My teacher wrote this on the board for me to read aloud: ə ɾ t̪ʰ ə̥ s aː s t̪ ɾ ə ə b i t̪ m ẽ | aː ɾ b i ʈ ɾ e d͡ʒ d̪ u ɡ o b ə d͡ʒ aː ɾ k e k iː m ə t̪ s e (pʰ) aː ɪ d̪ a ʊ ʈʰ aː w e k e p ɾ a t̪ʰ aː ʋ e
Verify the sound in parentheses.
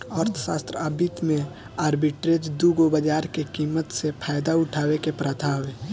correct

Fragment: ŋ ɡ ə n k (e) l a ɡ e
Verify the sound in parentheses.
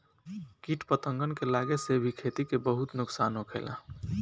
correct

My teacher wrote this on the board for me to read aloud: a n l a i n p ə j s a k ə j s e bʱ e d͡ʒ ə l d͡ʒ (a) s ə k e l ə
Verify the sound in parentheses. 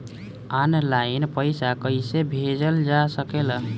correct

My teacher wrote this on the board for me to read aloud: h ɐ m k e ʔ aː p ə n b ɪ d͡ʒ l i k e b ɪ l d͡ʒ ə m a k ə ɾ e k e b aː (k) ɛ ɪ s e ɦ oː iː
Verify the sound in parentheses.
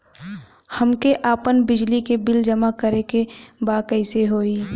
correct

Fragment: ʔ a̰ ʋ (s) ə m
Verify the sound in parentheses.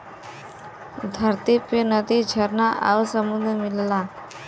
correct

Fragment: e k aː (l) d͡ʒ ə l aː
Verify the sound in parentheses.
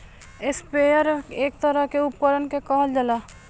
correct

